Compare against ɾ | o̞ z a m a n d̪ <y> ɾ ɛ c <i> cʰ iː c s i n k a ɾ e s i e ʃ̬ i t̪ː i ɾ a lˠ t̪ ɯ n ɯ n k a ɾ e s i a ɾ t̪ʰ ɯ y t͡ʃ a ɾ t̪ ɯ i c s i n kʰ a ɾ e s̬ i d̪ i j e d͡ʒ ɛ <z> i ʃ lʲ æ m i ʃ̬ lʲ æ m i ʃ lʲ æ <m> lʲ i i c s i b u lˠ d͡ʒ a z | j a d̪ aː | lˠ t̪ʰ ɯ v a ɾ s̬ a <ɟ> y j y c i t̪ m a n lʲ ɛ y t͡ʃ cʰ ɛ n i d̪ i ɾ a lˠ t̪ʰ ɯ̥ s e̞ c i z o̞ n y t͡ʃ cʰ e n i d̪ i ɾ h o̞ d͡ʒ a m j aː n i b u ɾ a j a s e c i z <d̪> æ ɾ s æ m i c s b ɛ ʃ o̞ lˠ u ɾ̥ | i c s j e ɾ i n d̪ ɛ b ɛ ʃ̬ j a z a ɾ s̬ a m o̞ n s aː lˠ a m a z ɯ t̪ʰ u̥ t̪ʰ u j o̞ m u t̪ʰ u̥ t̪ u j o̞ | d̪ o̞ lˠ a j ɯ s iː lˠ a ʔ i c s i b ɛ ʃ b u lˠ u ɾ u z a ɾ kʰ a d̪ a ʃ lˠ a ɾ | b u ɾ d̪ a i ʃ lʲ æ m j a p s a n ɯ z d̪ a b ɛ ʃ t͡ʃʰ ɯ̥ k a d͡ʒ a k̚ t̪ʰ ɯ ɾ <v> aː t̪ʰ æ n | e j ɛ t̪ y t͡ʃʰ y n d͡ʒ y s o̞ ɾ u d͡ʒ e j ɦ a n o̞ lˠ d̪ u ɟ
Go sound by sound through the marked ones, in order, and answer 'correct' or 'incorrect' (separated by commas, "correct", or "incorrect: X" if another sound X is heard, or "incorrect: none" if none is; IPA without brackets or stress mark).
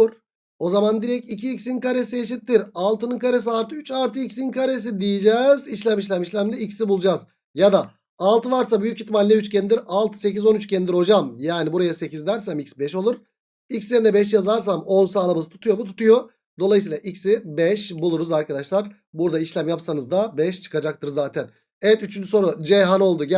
incorrect: i, correct, correct, correct, incorrect: b, correct, incorrect: z